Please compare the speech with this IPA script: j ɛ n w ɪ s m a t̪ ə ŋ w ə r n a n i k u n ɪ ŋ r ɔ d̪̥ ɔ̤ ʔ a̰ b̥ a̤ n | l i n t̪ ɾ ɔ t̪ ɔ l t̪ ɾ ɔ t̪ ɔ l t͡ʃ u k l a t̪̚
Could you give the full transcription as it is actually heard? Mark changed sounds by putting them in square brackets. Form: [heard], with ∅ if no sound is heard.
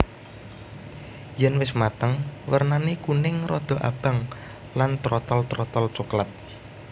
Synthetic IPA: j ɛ n w ɪ s m a t̪ ə ŋ w ə r n a n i k u n ɪ ŋ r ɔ d̪̥ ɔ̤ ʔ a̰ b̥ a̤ [ŋ] | l [a] n t̪ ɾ ɔ t̪ ɔ l t̪ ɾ ɔ t̪ ɔ l t͡ʃ u k l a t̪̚